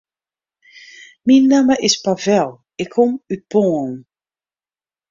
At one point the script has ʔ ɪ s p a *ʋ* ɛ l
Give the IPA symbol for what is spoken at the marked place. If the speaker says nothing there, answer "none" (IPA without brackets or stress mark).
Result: v